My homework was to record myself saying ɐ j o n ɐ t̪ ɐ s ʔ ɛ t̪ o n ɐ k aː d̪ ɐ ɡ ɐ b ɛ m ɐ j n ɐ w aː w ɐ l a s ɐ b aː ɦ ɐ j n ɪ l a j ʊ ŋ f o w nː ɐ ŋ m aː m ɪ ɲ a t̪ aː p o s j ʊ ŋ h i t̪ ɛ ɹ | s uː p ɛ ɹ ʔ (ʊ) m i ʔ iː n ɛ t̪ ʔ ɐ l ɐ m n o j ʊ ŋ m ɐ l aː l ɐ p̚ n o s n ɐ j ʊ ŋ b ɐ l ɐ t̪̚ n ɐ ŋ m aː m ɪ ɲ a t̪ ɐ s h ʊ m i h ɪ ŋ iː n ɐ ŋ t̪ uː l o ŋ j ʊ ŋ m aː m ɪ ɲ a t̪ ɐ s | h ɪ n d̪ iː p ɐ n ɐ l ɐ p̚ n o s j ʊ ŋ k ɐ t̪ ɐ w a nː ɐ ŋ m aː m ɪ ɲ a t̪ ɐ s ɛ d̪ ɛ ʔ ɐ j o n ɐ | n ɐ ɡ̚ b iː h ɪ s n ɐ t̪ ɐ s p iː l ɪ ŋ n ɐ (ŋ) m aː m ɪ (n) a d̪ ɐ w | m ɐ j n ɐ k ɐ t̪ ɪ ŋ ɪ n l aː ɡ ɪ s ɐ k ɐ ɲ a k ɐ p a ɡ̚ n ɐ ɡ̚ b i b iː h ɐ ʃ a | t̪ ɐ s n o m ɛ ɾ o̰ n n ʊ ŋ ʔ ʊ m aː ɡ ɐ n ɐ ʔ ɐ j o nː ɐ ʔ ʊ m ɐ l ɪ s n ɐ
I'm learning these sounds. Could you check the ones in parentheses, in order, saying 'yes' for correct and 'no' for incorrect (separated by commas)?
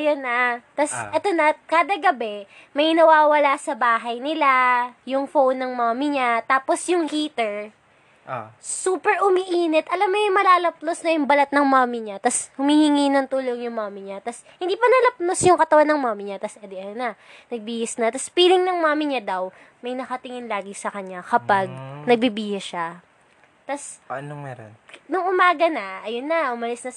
yes, yes, no